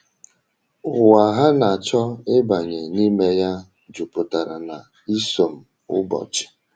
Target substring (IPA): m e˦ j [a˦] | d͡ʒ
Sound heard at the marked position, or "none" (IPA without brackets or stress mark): a˦